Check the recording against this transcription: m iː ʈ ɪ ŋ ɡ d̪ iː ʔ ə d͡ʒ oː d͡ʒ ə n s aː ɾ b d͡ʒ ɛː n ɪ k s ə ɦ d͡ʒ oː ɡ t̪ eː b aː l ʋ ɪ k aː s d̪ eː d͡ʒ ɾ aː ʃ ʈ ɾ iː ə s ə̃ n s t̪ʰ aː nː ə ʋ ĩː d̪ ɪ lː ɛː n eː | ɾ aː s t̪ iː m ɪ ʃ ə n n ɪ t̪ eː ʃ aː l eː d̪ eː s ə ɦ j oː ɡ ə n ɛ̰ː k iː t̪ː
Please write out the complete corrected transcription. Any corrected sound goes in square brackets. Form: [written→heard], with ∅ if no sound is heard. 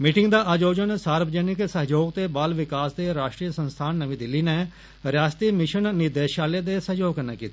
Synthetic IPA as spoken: m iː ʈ ɪ ŋ ɡ d̪ [iː→aː] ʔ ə d͡ʒ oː d͡ʒ ə n s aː ɾ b d͡ʒ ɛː n ɪ k s ə ɦ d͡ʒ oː ɡ t̪ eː b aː l ʋ ɪ k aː s d̪ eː [d͡ʒ→∅] ɾ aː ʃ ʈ ɾ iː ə s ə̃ n s t̪ʰ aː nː ə ʋ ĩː d̪ ɪ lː [ɛː→iː] n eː | ɾ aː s t̪ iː m ɪ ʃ ə n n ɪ [t̪→d̪] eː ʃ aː l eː d̪ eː s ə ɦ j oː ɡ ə n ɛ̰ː k iː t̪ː